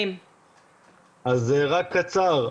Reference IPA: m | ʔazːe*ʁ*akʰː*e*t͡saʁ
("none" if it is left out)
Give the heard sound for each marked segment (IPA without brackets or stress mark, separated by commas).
ʁ, a